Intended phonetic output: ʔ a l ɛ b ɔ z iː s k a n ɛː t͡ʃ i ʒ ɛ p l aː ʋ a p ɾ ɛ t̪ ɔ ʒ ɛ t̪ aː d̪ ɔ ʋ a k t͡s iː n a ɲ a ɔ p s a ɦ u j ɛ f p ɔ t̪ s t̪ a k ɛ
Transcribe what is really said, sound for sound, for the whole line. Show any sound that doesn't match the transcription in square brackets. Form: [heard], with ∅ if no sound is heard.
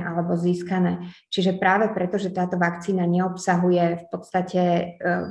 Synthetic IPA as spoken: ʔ a l ɛ b ɔ z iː s k a n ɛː t͡ʃ i ʒ ɛ p [ɾ] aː ʋ [ɛ] p ɾ ɛ t̪ ɔ ʒ ɛ t̪ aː [t̪] ɔ ʋ a k t͡s iː n a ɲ [ɛ] ɔ p s a ɦ u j ɛ f p ɔ t̪ s t̪ a [c] ɛ